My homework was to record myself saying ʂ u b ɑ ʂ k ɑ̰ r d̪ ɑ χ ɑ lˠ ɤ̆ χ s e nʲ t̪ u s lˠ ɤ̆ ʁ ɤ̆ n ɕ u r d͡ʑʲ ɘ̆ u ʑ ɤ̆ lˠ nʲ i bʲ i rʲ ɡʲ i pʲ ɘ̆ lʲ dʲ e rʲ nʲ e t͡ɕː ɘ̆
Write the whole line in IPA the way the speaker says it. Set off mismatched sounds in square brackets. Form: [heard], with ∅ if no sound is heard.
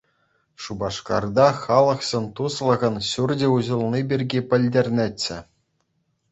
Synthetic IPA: ʂ u b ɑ ʂ k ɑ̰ r d̪ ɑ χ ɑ lˠ ɤ̆ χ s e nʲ t̪ u s lˠ ɤ̆ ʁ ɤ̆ n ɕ u r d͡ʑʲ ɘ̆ u ʑ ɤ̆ lˠ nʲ i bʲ i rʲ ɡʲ i pʲ ɘ̆ lʲ dʲ e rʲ nʲ e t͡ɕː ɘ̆